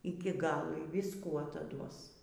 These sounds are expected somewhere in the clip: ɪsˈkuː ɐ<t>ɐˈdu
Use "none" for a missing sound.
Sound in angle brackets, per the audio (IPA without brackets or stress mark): t